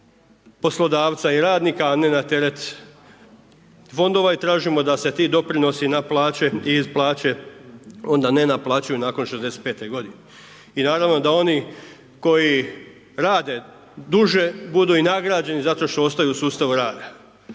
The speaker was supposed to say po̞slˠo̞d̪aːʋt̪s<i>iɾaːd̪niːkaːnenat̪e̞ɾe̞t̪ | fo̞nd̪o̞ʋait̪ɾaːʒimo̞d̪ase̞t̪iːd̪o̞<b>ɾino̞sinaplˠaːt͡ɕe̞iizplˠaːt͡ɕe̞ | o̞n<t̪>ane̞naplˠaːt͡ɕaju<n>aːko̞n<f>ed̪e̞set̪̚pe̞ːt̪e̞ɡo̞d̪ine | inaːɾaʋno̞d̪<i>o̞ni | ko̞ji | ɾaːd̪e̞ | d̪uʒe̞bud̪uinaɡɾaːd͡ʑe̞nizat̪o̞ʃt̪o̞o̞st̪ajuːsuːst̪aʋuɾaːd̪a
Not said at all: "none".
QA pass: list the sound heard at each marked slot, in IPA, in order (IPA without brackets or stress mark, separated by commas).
a, p, d̪, n, ʃ, a